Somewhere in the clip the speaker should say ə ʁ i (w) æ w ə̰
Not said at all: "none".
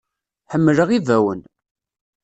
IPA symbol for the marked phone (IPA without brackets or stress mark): v